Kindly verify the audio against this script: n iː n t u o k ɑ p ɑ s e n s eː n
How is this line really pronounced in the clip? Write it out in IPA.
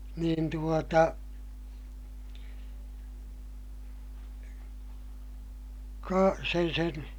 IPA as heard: n iː n t u o t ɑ k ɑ s e n s e n